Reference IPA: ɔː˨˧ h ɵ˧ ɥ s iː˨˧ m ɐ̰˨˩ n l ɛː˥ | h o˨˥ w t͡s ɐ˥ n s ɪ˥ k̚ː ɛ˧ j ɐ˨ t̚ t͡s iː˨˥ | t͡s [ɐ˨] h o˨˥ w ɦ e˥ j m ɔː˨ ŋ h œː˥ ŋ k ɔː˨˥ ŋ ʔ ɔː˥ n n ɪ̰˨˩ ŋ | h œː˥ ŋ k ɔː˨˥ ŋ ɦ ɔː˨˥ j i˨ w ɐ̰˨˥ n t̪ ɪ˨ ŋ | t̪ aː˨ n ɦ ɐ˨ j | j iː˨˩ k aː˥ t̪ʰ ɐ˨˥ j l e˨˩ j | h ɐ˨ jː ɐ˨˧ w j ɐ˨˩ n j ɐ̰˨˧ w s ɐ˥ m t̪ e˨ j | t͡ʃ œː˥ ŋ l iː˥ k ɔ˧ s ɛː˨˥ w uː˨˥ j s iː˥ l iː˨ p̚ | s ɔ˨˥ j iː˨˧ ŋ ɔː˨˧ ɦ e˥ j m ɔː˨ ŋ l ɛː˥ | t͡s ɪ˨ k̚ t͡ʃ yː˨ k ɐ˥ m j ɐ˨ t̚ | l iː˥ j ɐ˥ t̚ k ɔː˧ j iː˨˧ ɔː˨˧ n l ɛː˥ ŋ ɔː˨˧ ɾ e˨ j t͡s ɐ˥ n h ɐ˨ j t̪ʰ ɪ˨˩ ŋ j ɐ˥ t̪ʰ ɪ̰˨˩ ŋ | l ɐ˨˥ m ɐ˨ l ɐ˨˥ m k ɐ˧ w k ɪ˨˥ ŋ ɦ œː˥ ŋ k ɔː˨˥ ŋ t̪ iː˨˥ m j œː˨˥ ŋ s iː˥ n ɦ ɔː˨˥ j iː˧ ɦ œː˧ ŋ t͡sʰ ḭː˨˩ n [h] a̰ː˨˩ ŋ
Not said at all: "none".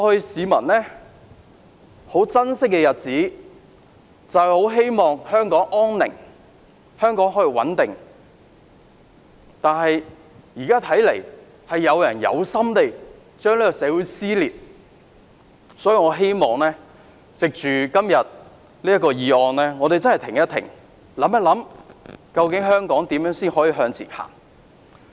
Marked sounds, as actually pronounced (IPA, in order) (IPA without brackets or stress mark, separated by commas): ɐ˨, h